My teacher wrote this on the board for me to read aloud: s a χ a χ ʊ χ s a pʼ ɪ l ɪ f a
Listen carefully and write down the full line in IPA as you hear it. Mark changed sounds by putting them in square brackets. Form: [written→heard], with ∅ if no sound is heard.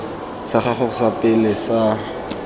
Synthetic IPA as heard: s a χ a χ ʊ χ s a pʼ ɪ l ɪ [f→s] a